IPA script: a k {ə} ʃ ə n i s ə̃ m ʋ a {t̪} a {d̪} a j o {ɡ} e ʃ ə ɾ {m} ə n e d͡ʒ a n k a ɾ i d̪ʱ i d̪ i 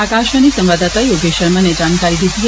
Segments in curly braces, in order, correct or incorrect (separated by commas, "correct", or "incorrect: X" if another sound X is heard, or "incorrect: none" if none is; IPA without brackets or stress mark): incorrect: a, incorrect: d̪, incorrect: t̪, correct, correct